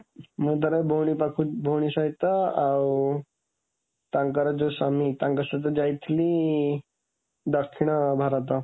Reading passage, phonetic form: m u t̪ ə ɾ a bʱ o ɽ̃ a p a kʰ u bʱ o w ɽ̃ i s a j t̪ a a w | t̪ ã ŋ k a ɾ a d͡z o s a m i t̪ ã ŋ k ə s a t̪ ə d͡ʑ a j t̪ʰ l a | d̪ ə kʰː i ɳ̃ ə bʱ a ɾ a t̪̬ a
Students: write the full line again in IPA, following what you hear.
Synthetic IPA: m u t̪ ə ɾ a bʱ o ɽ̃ i p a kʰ u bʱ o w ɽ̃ i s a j t̪ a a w | t̪ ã ŋ k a ɾ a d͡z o s a m i t̪ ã ŋ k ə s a t̪ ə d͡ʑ a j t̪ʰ l i | d̪ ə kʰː i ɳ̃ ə bʱ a ɾ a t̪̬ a

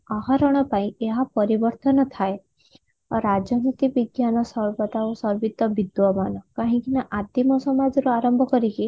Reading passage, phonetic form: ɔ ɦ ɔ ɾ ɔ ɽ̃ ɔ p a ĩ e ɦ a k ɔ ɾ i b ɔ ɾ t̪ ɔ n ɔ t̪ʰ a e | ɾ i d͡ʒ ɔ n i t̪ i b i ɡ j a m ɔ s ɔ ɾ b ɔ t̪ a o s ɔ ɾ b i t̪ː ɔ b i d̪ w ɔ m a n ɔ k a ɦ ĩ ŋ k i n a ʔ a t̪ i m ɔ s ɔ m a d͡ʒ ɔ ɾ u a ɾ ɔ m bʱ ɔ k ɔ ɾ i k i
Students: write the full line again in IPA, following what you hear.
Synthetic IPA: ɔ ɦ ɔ ɾ ɔ ɽ̃ ɔ p a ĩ e ɦ a p ɔ ɾ i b ɔ ɾ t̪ ɔ n ɔ t̪ʰ a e | ɾ a d͡ʒ ɔ n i t̪ i b i ɡ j a n ɔ s ɔ ɾ b ɔ t̪ a o s ɔ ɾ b i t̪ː ɔ b i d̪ w ɔ m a n ɔ k a ɦ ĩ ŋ k i n a ʔ a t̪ i m ɔ s ɔ m a d͡ʒ ɔ ɾ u a ɾ ɔ m bʱ ɔ k ɔ ɾ i k i

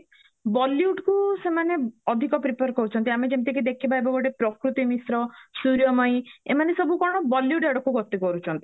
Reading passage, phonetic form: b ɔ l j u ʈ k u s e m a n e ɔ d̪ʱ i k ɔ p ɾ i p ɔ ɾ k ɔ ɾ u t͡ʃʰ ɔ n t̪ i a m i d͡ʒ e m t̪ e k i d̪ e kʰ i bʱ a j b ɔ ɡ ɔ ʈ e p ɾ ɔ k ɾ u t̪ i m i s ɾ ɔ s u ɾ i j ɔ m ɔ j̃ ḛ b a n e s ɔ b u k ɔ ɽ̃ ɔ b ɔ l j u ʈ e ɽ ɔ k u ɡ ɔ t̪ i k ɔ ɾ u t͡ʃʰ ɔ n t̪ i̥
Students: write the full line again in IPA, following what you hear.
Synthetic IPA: b ɔ l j u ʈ k u s e m a n e ɔ d̪ʱ i k ɔ p ɾ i p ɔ ɾ k ɔ ɾ u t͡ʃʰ ɔ n t̪ i a m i d͡ʒ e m t̪ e k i d̪ e kʰ i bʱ a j b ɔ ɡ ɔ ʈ e p ɾ ɔ k ɾ u t̪ i m i s ɾ ɔ s u ɾ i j ɔ m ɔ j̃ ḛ m a n e s ɔ b u k ɔ ɽ̃ ɔ b ɔ l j u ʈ e ɽ ɔ k u ɡ ɔ t̪ i k ɔ ɾ u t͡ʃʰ ɔ n t̪ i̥

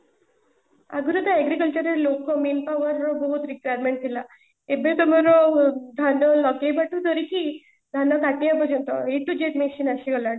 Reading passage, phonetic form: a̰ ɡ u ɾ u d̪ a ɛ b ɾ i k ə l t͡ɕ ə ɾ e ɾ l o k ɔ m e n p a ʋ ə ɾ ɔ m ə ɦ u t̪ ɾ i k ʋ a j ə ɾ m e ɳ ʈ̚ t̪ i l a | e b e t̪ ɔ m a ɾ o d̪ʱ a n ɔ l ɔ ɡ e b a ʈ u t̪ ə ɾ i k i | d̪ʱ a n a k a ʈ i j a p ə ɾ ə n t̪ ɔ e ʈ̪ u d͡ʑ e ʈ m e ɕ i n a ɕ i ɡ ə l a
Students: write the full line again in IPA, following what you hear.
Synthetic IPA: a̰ ɡ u ɾ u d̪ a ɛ ɡ ɾ i k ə l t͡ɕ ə ɾ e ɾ l o k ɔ m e n p a ʋ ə ɾ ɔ b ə ɦ u t̪ ɾ i k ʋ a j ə ɾ m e ɳ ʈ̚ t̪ i l a | e b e t̪ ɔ m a ɾ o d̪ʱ a n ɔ l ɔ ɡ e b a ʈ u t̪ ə ɾ i k i | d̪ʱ a n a k a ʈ i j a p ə ɾ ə n t̪ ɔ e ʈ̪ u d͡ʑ e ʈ m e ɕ i n a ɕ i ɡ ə l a

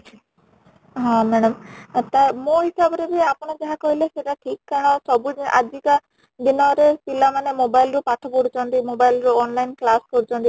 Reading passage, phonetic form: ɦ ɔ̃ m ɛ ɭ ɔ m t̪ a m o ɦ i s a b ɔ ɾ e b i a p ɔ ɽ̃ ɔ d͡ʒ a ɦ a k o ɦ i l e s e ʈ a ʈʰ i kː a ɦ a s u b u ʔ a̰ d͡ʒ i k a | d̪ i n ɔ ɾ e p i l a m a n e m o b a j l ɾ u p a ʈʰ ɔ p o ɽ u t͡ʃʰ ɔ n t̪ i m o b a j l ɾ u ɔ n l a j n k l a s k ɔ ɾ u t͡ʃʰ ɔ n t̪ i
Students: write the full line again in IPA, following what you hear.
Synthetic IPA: ɦ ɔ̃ m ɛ ɽ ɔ m t̪ a m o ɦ i s a b ɔ ɾ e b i a p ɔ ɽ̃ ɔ d͡ʒ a ɦ a k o ɦ i l e s e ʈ a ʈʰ i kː a ɦ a s ɔ b u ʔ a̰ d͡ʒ i k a | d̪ i n ɔ ɾ e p i l a m a n e m o b a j l ɾ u p a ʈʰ ɔ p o ɽ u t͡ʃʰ ɔ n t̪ i m o b a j l ɾ u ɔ n l a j n k l a s k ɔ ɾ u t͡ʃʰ ɔ n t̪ i

